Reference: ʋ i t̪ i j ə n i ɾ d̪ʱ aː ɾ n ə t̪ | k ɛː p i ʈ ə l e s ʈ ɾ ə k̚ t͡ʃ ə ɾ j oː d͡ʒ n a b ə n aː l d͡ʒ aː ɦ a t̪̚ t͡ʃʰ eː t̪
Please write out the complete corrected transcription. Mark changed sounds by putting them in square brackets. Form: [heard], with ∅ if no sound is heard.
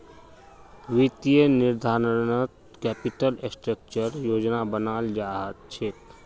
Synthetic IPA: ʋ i t̪ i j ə n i ɾ d̪ʱ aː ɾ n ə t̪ | k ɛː p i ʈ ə l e s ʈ ɾ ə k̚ t͡ʃ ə ɾ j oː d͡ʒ n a b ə n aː l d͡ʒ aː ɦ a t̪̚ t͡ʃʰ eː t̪